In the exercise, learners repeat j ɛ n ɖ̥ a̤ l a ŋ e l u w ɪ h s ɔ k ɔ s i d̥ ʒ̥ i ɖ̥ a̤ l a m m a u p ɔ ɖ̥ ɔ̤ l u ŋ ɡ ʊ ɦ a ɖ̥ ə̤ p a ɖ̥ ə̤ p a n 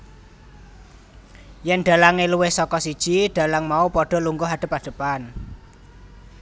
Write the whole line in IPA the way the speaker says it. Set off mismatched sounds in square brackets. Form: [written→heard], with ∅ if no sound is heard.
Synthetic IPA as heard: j ɛ n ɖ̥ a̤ l a ŋ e l u w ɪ h s ɔ k ɔ s i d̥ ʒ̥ i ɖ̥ a̤ l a [m→ŋ] m a u p ɔ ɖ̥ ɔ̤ l u ŋ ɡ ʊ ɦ a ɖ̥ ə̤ p a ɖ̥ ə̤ p a n

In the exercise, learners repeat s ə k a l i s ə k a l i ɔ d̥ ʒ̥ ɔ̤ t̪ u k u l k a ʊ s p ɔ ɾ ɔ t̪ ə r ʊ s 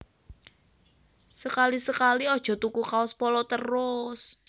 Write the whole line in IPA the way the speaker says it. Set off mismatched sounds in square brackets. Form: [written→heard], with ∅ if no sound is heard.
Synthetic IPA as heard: s ə k a l i s ə k a l i ɔ d̥ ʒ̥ ɔ̤ t̪ u k u [l→∅] k a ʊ s p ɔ [ɾ→l] ɔ t̪ ə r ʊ s

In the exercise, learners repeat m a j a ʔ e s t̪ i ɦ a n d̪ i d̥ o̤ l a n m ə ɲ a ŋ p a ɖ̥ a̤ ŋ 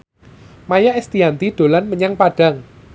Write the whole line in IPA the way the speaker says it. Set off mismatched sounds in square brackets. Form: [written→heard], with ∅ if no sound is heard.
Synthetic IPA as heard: m a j a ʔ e s t̪ i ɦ a n [d̪→t̪] i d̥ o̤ l a n m ə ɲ a ŋ p a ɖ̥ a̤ ŋ

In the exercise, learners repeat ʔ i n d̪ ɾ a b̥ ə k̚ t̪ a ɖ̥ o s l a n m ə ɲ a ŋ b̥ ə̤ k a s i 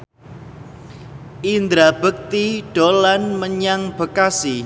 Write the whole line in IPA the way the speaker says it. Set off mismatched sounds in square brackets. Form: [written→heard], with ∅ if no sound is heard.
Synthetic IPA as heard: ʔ i n d̪ ɾ a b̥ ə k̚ t̪ [a→i] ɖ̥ o [s→∅] l a n m ə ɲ a ŋ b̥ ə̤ k a s i

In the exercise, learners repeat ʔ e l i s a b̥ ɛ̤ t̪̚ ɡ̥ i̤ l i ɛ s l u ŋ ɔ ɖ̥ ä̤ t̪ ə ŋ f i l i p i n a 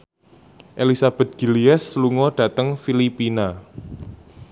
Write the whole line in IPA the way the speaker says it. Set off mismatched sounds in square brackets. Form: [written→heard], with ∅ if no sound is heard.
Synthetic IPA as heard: ʔ e l i s a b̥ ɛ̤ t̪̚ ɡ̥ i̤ l i ɛ s l u ŋ ɔ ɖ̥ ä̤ t̪ ə ŋ f i l i p i n a

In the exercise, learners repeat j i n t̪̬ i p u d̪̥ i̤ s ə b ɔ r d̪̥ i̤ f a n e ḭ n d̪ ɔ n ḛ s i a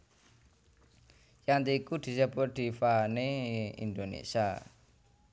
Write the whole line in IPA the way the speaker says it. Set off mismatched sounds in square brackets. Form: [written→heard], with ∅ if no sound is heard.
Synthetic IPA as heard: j [i→a] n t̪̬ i [p→k] u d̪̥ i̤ s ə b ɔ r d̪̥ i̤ f a n e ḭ n d̪ [ɔ→o] n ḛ s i a

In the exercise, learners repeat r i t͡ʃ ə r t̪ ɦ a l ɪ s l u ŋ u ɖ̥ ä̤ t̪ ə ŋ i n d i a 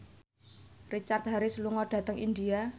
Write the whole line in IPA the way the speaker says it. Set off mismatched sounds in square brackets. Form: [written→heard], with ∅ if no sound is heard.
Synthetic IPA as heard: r i t͡ʃ [ə→a] r t̪ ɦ a [l→ɾ] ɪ s l u ŋ [u→ɔ] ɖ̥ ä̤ t̪ ə ŋ i n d i a

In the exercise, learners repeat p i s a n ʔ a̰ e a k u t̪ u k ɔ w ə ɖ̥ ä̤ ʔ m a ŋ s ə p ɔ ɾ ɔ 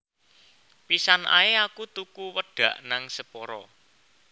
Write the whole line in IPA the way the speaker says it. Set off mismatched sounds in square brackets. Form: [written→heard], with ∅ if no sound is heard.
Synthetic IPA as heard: p i s a n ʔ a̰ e a k u t̪ u k [ɔ→u] w ə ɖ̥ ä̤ ʔ [m→n] a ŋ s ə p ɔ ɾ ɔ

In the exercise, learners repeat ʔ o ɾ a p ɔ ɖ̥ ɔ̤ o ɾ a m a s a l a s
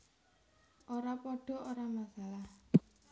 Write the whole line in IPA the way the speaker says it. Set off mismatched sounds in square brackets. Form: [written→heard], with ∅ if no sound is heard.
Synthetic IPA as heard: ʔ o ɾ a p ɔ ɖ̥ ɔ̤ o ɾ a m a s a l a [s→h]

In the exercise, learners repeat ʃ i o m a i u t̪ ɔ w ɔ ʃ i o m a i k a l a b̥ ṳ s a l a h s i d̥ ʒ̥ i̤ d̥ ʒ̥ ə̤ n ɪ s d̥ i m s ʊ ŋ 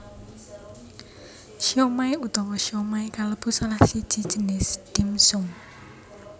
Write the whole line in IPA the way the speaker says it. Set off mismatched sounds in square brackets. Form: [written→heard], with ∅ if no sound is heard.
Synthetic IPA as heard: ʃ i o m a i u t̪ ɔ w ɔ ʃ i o m a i k a l [a→ə] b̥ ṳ s a l a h s i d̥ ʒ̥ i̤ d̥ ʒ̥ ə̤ n ɪ s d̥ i m s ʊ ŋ

